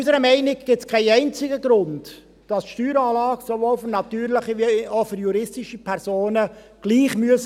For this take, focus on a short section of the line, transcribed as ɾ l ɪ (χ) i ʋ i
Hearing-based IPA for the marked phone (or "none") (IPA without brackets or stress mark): χ